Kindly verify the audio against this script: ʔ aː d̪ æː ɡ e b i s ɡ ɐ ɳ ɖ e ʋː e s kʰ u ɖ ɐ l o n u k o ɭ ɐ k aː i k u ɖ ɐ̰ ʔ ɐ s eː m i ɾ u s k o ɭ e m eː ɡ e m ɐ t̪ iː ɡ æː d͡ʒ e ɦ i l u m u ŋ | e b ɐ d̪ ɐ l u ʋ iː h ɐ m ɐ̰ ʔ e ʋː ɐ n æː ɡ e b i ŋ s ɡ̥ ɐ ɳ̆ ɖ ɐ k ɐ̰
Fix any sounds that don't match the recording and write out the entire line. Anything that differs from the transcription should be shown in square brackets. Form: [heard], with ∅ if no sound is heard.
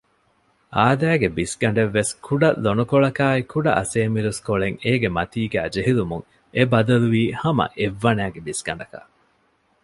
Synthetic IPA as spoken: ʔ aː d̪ æː ɡ e b i s ɡ ɐ ɳ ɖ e ʋː e s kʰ u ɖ ɐ l o n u k o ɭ ɐ k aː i k u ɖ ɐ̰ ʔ ɐ s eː m i ɾ u s k o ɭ e [ŋ] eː ɡ e m ɐ t̪ iː ɡ æː d͡ʒ e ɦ i l u m u ŋ | e b ɐ d̪ ɐ l u ʋ iː h ɐ m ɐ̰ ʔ e ʋː ɐ n æː ɡ e b i [∅] s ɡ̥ ɐ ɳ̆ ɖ ɐ k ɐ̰